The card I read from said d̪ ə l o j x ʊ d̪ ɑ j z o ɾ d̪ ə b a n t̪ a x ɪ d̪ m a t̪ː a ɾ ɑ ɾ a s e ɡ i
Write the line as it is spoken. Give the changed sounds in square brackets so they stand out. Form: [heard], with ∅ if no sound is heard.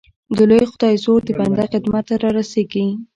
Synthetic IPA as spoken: d̪ ə l o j x ʊ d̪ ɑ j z o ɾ d̪ ə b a n [d̪] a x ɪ d̪ m a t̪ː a ɾ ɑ ɾ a s e ɡ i